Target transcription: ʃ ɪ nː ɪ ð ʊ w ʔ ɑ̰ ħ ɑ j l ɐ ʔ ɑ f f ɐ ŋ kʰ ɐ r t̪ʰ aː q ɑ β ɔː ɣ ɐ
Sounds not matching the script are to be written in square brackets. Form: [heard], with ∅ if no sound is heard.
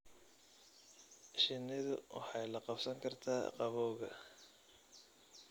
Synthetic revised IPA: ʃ ɪ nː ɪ ð ʊ w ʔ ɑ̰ ħ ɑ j l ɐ [q] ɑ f [s] ɐ ŋ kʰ ɐ r t̪ʰ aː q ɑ β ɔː ɣ ɐ